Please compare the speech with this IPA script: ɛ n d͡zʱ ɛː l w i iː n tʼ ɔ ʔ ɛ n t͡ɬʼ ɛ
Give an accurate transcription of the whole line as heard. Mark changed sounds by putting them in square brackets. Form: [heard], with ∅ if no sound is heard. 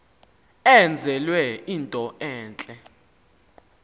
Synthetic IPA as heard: ɛ n d͡zʱ [ɛ] l w [ɛ] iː n tʼ ɔ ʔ [ɛː] n t͡ɬʼ ɛ